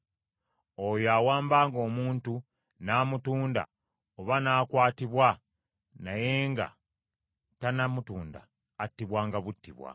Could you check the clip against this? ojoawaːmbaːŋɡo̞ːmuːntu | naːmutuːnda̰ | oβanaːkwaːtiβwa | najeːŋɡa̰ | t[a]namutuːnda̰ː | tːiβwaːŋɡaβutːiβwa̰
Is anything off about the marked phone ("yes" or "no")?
no